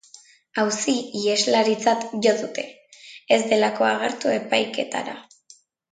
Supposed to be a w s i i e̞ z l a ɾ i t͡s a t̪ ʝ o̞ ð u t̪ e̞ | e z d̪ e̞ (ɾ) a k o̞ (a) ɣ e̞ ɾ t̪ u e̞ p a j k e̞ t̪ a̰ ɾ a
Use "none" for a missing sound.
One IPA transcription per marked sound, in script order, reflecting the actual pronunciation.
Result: l, a

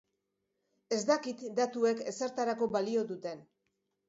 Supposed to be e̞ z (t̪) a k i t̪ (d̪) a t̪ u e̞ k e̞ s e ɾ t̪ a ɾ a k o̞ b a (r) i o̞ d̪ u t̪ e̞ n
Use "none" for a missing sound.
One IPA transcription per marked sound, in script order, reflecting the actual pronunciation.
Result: d̪, d̪, l

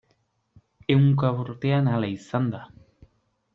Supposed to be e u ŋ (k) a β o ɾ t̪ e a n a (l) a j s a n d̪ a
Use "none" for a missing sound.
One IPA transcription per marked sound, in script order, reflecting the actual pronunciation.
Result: k, l

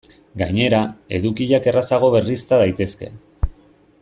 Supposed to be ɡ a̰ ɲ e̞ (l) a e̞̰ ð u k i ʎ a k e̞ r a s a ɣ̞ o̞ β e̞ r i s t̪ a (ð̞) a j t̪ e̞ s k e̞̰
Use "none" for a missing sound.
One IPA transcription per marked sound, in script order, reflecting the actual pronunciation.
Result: ɾ, ð̞

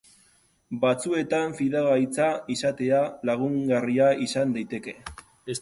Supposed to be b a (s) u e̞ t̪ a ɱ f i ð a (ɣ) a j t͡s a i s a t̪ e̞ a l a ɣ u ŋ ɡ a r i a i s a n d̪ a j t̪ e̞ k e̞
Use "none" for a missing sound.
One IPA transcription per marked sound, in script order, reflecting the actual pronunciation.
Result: t͡s, ɣ

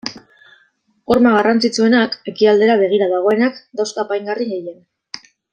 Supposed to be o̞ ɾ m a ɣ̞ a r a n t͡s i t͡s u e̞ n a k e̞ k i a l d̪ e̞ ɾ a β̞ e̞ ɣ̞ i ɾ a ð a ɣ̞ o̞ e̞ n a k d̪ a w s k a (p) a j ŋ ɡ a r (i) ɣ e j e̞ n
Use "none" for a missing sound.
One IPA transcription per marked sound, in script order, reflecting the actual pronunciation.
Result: p, i

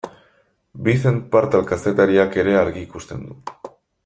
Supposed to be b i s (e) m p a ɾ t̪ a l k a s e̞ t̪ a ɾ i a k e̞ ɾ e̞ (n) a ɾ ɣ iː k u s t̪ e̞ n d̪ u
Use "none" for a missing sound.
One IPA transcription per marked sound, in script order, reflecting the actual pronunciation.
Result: e, none

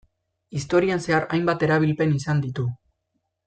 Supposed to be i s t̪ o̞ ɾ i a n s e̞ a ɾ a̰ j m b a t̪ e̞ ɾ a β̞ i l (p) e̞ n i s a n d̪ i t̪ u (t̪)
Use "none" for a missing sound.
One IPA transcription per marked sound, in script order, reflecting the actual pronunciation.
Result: p, none

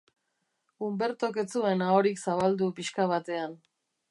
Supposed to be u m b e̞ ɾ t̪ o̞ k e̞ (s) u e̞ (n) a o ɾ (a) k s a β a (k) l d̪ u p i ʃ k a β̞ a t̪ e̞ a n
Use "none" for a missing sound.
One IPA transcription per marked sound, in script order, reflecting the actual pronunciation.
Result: t͡s, n, i, none

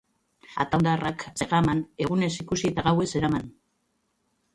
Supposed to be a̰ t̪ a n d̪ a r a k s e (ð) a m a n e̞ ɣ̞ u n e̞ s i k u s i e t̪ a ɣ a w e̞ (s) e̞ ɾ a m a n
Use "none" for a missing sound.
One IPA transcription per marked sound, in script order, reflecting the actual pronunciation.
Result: ɣ, s

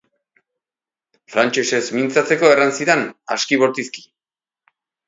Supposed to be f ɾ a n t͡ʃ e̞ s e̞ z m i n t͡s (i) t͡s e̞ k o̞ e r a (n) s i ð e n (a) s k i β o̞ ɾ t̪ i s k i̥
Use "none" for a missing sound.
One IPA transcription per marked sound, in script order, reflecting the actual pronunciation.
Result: a, n, a

